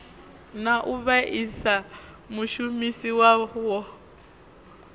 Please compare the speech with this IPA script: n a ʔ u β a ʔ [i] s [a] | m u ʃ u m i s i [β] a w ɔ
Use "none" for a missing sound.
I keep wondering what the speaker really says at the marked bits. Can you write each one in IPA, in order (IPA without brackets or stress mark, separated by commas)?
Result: i, a, w